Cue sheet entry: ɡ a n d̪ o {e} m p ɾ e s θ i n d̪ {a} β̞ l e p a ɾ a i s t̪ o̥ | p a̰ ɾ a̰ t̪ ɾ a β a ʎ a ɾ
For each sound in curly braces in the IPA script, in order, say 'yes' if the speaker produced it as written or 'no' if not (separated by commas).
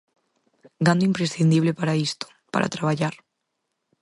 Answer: no, no